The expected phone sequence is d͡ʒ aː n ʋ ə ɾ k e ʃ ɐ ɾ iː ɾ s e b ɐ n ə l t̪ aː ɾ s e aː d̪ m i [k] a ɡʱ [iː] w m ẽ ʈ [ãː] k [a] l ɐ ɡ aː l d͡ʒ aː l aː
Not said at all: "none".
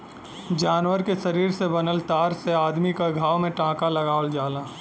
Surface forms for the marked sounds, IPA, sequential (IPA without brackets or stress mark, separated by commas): k, aː, ãː, a